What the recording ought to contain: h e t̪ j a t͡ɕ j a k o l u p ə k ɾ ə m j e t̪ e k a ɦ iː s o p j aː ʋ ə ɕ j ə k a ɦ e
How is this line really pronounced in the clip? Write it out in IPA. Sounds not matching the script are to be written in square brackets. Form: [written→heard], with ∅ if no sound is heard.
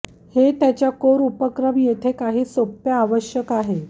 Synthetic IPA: h e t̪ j a t͡ɕ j a k o [l→ɾ] u p ə k ɾ ə m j e [t̪→t̪ʰ] e k a ɦ iː s o p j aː ʋ ə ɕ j ə k a ɦ e